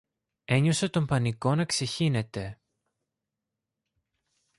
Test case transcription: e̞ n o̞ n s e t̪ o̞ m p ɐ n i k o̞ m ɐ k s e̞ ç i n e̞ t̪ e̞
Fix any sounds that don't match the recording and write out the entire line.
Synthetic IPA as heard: e̞ ɲ o̞ s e t̪ o̞ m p ɐ n i k o̞ n ɐ k s e̞ ç i n e̞ t̪ e̞